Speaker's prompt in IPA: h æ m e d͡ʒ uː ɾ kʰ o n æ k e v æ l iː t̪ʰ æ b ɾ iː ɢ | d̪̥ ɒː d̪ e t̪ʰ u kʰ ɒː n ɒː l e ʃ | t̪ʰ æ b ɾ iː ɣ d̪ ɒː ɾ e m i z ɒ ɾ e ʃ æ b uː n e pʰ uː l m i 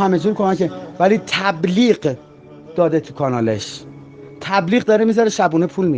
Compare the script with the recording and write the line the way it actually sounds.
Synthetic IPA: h æ m e d͡ʒ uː ɾ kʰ o m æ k e v æ l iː t̪ʰ æ b l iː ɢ | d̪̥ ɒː d̪ e t̪ʰ u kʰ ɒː n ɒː l e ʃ | t̪ʰ æ b l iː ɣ d̪ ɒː ɾ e m i z ɒ ɾ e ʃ æ b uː n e pʰ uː l m i

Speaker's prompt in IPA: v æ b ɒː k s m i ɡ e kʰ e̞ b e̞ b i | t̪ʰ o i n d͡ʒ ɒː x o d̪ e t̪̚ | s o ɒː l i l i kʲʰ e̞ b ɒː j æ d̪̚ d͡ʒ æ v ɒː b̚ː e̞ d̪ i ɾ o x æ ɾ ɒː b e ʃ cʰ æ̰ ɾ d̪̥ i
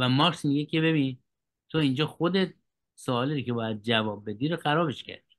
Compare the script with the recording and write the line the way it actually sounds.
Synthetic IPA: v æ m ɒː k s m i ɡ e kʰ e̞ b e̞ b i | t̪ʰ o i n d͡ʒ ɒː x o d̪ e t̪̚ | s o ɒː l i ɾ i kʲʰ e̞ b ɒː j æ d̪̚ d͡ʒ æ v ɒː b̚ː e̞ d̪ i ɾ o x æ ɾ ɒː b e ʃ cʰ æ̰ ɾ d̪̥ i

